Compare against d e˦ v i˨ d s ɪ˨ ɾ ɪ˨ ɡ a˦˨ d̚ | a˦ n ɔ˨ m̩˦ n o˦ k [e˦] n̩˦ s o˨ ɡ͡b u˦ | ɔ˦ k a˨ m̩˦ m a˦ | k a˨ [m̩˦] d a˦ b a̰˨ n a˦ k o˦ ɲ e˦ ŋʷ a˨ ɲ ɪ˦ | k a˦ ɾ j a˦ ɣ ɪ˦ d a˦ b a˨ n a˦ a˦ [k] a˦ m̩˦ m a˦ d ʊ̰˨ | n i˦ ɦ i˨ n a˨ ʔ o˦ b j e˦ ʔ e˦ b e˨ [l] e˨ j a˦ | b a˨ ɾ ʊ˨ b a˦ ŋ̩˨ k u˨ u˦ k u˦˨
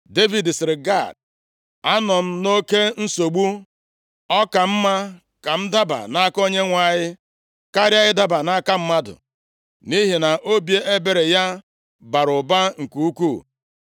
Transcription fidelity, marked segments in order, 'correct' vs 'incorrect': correct, correct, correct, incorrect

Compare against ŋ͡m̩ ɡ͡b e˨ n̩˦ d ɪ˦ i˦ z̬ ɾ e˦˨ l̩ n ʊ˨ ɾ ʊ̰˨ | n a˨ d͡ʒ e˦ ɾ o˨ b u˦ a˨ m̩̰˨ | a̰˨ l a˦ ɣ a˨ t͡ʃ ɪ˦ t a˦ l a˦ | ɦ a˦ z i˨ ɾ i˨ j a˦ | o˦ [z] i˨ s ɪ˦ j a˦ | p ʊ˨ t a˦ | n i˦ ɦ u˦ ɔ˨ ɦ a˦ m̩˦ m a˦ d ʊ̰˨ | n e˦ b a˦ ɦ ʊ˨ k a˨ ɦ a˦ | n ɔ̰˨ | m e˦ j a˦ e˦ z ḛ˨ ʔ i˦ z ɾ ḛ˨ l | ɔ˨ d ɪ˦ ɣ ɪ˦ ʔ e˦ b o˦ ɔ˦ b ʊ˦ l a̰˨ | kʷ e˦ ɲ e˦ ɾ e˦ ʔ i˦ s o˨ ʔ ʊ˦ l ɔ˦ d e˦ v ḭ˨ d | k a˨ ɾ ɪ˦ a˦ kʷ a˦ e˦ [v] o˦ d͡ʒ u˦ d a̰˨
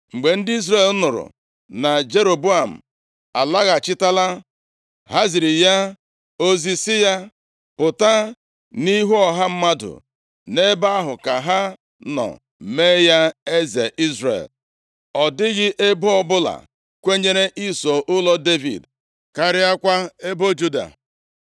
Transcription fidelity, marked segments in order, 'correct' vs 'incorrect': correct, incorrect

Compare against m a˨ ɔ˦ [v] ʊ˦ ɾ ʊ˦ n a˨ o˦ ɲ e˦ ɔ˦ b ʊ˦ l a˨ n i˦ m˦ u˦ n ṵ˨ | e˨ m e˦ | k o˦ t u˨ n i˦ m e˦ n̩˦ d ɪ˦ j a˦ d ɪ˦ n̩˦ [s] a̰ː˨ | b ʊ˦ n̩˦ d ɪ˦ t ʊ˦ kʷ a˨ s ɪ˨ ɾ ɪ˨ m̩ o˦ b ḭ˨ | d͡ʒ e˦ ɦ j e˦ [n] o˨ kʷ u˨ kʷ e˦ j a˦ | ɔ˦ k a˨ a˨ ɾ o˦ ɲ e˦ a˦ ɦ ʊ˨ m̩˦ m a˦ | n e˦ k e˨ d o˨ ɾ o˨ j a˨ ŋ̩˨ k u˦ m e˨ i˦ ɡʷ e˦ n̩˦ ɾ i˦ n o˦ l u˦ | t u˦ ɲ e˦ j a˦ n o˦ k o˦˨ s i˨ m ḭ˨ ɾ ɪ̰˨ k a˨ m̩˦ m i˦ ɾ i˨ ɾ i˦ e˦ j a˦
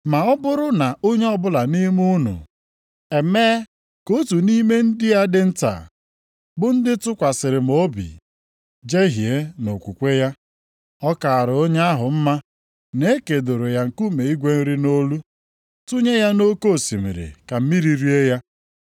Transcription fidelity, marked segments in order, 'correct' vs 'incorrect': incorrect, incorrect, correct

